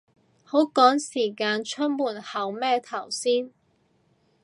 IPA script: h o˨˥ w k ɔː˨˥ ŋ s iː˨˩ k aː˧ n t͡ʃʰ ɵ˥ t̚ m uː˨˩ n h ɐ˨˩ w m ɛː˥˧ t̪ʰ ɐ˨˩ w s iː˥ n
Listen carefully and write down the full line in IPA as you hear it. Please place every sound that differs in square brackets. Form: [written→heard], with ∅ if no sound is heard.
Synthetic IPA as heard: h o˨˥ w k ɔː˨˥ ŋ s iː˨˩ k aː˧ n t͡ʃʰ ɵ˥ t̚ m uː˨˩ n h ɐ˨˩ w m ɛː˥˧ t̪ʰ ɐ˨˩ w s iː˥ n